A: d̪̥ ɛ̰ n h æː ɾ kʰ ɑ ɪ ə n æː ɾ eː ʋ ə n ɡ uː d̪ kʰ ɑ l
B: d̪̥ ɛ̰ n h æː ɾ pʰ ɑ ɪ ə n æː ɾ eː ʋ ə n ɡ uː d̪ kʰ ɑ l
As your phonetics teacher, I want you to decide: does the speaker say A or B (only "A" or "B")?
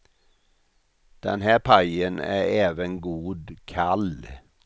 B